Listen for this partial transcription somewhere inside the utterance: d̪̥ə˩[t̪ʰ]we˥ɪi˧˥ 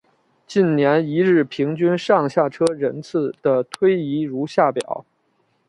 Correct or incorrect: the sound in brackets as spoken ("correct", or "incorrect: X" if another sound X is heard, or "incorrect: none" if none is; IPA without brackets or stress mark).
correct